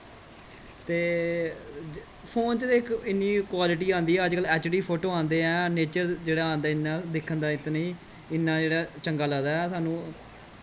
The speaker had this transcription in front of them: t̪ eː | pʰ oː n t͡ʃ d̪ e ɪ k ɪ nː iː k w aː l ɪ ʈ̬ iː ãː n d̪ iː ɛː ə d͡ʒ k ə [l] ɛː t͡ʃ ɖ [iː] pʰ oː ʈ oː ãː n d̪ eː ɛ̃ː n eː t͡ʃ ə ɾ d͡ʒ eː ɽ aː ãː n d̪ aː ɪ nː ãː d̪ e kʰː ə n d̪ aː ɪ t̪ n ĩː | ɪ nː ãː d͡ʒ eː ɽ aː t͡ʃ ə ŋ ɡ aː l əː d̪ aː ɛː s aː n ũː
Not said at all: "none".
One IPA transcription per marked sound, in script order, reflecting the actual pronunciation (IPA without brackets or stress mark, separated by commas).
l, iː